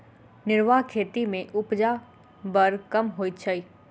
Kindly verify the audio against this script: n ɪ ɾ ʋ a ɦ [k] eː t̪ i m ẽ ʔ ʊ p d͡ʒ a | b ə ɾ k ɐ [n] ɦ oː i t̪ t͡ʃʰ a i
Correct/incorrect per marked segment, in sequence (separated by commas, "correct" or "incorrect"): incorrect, incorrect